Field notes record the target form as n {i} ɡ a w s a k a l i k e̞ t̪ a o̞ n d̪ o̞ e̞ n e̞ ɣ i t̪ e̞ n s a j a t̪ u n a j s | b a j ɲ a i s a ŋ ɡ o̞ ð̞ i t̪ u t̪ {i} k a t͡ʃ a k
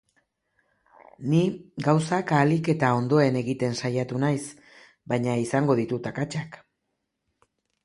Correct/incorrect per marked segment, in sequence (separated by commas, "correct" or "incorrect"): correct, incorrect